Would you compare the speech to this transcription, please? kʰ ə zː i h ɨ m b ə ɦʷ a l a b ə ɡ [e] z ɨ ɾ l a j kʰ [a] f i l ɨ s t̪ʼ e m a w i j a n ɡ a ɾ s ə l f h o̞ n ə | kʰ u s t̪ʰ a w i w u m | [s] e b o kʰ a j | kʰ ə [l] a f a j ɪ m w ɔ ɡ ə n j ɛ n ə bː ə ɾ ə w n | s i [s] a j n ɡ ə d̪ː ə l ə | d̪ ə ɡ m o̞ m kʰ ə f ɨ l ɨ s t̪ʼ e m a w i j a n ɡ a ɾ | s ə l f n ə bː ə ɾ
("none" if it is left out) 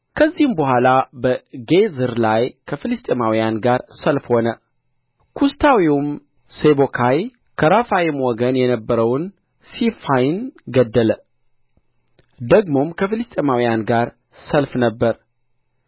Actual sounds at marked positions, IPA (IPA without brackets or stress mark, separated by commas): e, ə, s, ɾ, f